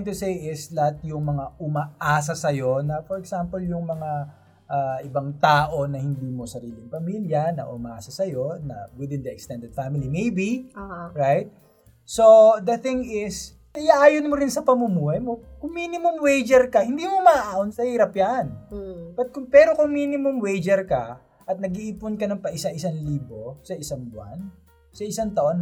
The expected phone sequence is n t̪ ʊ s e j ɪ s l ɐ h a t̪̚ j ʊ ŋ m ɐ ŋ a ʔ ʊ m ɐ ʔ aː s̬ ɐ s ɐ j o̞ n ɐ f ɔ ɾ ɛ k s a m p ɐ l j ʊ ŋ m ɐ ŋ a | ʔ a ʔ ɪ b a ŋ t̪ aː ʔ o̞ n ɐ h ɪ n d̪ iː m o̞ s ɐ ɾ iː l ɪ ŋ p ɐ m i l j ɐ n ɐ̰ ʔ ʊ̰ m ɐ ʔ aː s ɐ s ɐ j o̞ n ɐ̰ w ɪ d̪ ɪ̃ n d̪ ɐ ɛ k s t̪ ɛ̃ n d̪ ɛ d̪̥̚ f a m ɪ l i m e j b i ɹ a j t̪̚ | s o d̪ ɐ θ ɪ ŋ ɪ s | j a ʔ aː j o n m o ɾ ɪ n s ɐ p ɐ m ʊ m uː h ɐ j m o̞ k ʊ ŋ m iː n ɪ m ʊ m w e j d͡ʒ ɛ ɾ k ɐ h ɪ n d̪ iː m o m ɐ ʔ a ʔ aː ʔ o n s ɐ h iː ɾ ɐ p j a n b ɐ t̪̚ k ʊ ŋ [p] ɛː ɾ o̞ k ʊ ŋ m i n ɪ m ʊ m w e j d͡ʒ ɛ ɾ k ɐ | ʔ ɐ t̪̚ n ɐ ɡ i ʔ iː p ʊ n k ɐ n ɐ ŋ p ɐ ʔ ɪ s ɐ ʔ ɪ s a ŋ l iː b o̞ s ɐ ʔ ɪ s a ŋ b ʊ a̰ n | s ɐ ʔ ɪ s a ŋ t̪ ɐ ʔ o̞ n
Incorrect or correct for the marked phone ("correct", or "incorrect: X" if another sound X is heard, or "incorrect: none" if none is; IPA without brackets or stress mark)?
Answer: correct